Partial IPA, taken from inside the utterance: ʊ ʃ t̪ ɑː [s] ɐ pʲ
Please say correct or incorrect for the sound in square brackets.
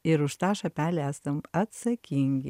incorrect